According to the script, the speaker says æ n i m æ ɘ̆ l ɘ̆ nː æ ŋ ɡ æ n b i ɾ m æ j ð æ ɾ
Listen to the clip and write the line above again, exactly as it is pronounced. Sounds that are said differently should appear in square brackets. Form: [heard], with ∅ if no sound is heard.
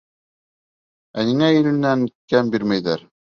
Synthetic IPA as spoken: æ n i [ŋ] æ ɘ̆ l ɘ̆ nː æ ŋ [k] æ [m] b i ɾ m æ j ð æ ɾ

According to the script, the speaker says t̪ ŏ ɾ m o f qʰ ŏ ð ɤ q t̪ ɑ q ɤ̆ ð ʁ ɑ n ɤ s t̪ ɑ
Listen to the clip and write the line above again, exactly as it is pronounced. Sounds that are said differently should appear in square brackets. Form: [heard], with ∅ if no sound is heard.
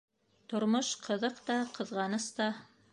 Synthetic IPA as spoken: t̪ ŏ ɾ m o [ʃ] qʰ [ɤ̆] ð ɤ q t̪ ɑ q ɤ̆ ð ʁ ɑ n ɤ s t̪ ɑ

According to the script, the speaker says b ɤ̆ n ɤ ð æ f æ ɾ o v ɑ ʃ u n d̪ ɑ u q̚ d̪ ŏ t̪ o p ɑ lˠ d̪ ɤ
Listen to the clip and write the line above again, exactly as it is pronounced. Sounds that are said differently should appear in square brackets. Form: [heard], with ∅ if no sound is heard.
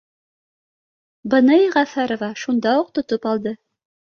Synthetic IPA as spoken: b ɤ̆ n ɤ [ʁ] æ f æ ɾ o v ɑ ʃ u n d̪ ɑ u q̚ [t̪] ŏ t̪ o p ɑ lˠ d̪ ɤ

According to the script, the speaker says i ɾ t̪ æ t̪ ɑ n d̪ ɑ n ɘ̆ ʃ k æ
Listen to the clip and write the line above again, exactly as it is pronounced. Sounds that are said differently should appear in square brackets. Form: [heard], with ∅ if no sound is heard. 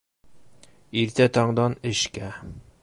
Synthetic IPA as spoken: i ɾ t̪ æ t̪ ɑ [ɴ] d̪ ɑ n ɘ̆ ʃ k æ

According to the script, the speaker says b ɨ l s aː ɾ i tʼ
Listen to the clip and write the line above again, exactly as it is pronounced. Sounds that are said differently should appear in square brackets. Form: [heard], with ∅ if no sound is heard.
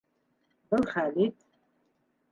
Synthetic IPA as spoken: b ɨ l [χ] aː [l] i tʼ

